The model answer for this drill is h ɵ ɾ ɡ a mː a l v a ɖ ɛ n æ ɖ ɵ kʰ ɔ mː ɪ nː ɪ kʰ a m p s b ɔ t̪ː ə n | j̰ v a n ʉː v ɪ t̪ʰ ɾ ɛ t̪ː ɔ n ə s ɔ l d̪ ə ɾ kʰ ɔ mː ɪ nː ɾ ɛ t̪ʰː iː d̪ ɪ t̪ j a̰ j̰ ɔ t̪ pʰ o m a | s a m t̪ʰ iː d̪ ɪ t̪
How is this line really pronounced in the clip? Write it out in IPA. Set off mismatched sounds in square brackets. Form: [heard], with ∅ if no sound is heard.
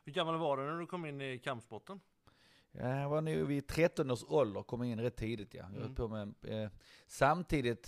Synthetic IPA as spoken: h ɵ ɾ ɡ a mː a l v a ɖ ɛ n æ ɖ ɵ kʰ ɔ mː ɪ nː ɪ kʰ a m p s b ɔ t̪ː ə n | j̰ v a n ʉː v ɪ t̪ʰ ɾ ɛ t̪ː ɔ n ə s ɔ l d̪ ə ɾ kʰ ɔ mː ɪ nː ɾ ɛ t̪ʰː iː d̪ ɪ t̪ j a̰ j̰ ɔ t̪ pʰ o m [ɛ] | s a m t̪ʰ iː d̪ ɪ t̪